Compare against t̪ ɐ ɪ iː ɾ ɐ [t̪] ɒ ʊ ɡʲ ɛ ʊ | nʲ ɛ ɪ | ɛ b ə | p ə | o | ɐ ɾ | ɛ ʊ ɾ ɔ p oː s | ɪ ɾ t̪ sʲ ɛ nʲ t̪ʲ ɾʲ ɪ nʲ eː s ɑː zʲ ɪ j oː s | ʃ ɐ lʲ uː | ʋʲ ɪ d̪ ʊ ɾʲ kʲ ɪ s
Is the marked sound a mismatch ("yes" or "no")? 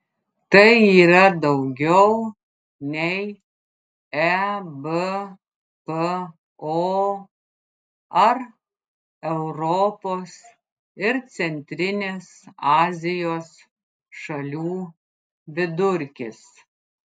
yes